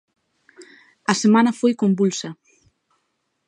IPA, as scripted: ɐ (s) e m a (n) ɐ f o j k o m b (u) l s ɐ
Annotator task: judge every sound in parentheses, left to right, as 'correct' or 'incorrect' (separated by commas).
correct, correct, correct